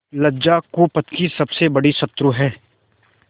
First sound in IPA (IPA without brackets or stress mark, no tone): l